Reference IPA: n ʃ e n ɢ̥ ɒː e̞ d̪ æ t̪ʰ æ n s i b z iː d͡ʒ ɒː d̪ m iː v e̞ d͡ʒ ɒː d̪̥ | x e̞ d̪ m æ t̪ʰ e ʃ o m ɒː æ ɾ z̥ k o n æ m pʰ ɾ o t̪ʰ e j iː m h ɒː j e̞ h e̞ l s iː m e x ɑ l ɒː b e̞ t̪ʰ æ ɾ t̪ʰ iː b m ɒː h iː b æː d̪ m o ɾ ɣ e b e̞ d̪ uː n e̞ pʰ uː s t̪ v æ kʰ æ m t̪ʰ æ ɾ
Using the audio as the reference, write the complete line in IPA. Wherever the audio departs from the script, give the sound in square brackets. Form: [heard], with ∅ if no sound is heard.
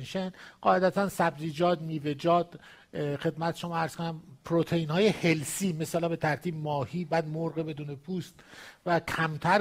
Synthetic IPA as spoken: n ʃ e n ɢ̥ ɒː e̞ d̪ æ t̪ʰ æ n s [æ] b z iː d͡ʒ ɒː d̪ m iː v e̞ d͡ʒ ɒː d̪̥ | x e̞ d̪ m æ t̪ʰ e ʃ o m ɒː æ ɾ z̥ k o n æ m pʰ ɾ o t̪ʰ e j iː [n] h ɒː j e̞ h e̞ l s iː m e [s] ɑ l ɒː b e̞ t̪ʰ æ ɾ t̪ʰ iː b m ɒː h iː b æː d̪ m o ɾ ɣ e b e̞ d̪ uː n e̞ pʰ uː s t̪ v æ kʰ æ m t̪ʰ æ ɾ